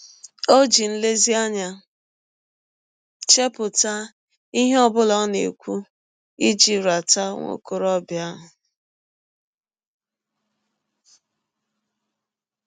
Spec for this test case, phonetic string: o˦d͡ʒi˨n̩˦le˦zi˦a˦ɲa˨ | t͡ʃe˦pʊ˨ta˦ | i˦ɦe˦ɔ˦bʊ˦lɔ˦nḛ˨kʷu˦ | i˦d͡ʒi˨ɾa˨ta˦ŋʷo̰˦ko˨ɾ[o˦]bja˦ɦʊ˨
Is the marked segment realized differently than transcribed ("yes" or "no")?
yes